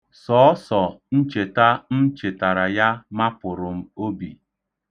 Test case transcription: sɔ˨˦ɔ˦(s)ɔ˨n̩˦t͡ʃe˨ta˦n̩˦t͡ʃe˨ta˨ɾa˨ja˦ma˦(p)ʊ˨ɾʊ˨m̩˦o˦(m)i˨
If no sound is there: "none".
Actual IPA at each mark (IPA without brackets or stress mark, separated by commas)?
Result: s, p, b